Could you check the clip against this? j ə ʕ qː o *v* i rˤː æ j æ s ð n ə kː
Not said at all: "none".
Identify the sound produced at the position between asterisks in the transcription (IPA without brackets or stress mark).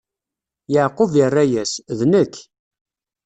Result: v